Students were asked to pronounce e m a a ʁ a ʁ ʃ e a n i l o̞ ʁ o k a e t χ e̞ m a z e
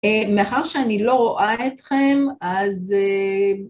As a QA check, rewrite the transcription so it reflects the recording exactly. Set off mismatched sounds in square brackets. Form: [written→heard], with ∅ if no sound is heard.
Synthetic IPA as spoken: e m [a→e] a [ʁ→χ] a ʁ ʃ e a n i l o̞ ʁ o [k→ʔ] a e t χ e̞ m a z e